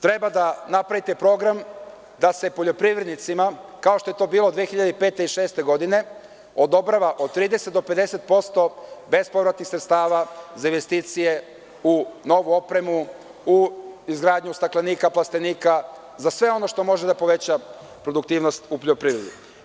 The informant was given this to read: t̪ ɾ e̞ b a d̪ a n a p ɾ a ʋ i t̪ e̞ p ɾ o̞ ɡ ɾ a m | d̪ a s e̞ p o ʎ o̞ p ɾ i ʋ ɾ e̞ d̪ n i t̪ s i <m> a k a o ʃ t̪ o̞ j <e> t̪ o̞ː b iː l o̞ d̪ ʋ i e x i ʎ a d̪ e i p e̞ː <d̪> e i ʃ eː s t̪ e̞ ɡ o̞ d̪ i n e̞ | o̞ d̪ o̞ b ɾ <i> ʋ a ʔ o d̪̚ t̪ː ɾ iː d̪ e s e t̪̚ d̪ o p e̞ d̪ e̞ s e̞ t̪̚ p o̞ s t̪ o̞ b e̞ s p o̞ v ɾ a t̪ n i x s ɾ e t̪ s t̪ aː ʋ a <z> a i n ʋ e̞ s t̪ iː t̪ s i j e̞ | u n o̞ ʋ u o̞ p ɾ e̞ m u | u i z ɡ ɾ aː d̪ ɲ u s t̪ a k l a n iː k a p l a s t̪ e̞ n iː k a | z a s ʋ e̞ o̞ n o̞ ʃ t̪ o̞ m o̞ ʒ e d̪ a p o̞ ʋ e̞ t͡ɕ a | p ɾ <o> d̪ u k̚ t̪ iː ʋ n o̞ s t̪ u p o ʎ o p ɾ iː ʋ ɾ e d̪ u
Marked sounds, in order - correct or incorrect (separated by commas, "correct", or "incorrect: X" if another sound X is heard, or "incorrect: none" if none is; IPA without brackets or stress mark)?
correct, correct, incorrect: t̪, incorrect: a, correct, correct